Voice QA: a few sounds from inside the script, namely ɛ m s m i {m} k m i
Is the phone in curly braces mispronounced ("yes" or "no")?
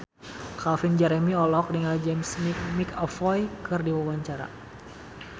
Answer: yes